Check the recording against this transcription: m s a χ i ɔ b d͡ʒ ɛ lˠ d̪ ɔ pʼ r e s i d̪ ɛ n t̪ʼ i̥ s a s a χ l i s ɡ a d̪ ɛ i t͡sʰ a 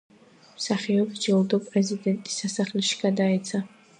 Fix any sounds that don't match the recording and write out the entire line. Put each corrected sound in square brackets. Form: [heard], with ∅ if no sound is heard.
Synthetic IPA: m s a χ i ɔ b d͡ʒ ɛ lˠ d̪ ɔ pʼ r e [z] i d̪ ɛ n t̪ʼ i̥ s a s a χ l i [ʃ] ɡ a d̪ [a] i t͡sʰ a